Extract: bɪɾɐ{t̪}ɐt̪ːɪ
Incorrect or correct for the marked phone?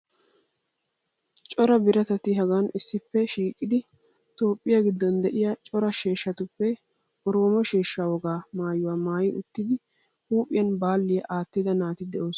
correct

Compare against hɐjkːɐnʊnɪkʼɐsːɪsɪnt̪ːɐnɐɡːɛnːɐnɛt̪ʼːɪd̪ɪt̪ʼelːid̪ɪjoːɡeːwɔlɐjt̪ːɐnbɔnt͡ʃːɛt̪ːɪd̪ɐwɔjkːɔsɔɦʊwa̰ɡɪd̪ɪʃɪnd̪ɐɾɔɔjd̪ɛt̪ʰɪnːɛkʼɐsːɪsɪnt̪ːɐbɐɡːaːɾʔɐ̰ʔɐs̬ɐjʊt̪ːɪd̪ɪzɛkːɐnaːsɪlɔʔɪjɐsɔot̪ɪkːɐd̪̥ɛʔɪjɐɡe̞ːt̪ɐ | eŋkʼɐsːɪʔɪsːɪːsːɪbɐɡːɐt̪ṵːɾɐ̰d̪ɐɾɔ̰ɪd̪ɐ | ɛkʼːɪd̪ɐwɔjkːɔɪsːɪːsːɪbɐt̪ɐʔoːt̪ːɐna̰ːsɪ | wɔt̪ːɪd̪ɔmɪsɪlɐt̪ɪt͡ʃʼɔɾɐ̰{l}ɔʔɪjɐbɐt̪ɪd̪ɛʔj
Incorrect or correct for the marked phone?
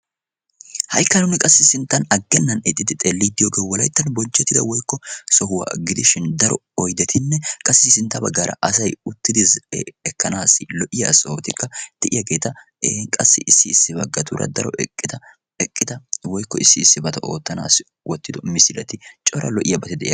correct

